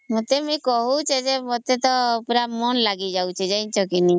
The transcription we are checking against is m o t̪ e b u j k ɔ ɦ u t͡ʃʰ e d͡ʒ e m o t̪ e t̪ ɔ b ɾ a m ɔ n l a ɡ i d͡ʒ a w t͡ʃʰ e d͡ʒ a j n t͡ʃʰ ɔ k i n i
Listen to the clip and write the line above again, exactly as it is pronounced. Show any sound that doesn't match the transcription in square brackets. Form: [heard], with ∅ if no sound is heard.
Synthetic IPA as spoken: m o t̪ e [m] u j k ɔ ɦ u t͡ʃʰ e d͡ʒ e m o t̪ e t̪ ɔ [p] ɾ a m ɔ n l a ɡ i d͡ʒ a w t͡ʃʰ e d͡ʒ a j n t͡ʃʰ ɔ k i n i

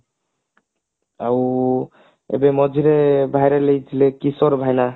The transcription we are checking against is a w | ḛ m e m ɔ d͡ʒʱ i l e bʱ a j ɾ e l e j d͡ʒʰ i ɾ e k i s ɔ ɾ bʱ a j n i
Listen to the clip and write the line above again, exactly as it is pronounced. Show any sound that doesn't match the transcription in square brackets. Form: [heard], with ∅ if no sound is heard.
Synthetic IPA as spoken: a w | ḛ [b] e m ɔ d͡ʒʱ i [ɾ] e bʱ a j ɾ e l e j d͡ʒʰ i [l] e k i s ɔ ɾ bʱ a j n [a]

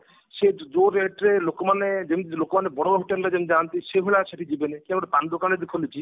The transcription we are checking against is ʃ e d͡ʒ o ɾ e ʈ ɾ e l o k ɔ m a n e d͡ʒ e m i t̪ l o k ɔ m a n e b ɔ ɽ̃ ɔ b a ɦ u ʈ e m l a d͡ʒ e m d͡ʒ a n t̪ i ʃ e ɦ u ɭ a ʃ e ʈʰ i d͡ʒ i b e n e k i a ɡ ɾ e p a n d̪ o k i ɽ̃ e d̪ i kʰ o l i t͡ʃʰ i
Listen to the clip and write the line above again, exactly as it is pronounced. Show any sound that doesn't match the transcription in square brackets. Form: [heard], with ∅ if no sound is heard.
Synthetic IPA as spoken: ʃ e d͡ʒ o ɾ e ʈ ɾ e l o k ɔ m a n e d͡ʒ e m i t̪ l o k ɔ m a n e b ɔ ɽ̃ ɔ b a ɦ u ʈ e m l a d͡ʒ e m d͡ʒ a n t̪ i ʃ e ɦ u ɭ a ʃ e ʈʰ i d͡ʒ i b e n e k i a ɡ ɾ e p a n d̪ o k [a] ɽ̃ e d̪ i kʰ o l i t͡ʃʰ i

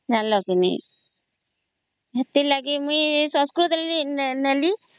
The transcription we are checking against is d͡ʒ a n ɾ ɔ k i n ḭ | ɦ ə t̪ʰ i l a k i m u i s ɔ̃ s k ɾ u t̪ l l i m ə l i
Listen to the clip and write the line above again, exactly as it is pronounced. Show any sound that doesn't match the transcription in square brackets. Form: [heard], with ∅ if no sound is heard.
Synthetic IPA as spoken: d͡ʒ a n [l] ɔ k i n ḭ | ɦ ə [t̪] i l a [ɡ] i m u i s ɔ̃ s k ɾ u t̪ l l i [n] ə l i

